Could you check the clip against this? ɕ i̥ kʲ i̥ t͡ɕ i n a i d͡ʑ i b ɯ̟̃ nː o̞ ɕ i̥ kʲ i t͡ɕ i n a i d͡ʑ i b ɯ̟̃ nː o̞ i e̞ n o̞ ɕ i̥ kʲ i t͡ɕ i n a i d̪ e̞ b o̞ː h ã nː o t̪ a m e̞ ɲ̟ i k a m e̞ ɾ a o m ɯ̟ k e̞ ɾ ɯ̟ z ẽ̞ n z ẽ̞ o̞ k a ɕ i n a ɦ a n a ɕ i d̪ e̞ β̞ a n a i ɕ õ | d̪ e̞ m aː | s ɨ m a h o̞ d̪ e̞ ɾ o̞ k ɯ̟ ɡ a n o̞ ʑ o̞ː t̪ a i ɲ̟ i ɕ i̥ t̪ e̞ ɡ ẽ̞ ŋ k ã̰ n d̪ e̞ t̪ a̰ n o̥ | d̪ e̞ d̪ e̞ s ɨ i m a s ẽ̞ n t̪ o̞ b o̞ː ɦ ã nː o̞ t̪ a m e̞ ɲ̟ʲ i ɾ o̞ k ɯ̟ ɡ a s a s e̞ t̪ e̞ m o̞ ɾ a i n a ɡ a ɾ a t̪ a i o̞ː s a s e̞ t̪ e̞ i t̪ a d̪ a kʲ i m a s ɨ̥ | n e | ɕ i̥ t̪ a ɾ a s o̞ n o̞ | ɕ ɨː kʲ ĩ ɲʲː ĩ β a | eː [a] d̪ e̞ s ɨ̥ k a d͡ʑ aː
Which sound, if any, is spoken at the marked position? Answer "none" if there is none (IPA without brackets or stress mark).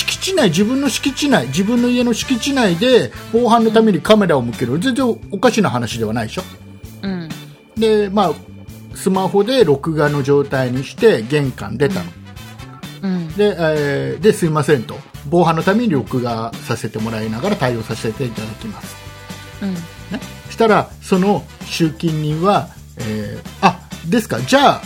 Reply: a